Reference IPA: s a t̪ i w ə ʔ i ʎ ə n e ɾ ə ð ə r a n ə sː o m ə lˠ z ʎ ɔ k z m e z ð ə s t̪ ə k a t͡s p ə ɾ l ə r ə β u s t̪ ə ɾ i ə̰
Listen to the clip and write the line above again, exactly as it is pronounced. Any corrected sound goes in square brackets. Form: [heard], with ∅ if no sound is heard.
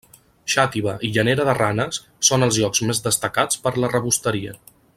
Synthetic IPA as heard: [ʃ] a t̪ i [β] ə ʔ i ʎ ə n e ɾ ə ð ə r a n ə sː o [n] ə lˠ z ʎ ɔ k z m e z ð ə s t̪ ə k a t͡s p ə ɾ l ə r ə β u s t̪ ə ɾ i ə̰